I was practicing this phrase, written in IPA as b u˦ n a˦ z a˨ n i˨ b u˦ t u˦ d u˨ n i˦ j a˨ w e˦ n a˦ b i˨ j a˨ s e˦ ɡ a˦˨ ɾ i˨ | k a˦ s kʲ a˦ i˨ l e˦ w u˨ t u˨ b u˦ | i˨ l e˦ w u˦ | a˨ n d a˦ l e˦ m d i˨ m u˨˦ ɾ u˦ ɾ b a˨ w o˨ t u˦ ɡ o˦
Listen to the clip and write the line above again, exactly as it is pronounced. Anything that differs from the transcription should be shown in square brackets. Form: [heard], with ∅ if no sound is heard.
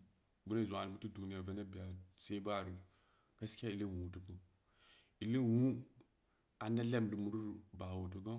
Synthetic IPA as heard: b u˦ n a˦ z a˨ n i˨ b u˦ t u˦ d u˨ n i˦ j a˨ [v] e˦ n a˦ b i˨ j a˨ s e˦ [b] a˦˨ ɾ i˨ | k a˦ s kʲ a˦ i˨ l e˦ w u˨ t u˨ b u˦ | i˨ l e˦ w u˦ | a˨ n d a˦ l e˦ m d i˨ m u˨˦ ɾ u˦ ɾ b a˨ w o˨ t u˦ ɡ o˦